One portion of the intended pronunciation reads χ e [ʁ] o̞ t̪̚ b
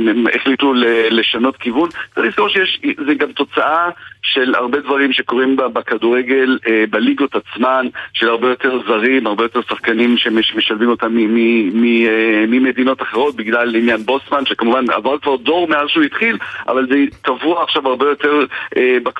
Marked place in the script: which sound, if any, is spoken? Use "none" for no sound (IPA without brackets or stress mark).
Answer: ʁ